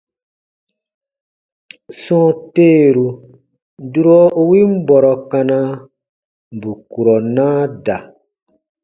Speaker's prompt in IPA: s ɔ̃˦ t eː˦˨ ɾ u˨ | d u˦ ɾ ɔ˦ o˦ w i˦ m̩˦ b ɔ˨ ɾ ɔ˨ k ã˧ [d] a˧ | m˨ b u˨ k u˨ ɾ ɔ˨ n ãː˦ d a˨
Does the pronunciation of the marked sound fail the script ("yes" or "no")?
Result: yes